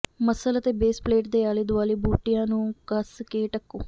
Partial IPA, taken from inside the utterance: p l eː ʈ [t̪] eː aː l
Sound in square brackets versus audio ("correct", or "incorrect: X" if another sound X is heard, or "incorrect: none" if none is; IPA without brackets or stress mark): incorrect: d̪